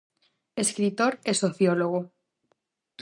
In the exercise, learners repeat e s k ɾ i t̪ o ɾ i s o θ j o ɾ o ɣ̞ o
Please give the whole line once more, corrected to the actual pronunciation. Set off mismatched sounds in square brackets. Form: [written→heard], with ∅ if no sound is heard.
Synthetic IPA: e s k ɾ i t̪ o ɾ [i→e] s o θ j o [ɾ→l] o ɣ̞ o